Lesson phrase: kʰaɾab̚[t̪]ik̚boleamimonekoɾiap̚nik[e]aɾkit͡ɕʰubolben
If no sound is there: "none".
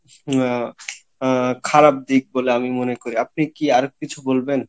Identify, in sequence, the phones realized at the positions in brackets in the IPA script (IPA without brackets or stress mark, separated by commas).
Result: d̪, i